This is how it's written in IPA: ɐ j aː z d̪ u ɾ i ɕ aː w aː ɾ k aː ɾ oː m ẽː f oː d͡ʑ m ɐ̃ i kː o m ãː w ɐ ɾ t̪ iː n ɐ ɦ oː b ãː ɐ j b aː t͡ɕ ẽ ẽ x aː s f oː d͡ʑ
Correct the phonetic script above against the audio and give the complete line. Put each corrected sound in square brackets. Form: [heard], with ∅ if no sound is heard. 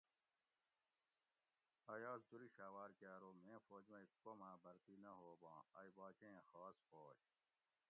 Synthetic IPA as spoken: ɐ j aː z d̪ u ɾ i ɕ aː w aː ɾ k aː ɾ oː m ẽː f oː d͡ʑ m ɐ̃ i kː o m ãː [b] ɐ ɾ t̪ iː n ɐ ɦ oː b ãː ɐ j b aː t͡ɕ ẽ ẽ x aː s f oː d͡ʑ